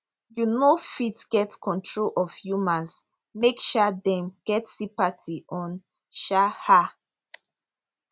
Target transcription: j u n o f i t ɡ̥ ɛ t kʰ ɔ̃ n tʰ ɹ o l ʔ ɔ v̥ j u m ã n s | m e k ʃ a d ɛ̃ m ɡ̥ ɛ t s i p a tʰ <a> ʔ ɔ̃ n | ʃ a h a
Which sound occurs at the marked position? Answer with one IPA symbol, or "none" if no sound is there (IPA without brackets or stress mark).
i